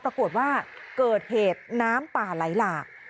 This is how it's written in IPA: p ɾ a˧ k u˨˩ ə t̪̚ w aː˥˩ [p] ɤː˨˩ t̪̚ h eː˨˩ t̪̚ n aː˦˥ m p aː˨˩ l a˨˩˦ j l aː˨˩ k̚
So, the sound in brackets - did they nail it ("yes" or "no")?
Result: no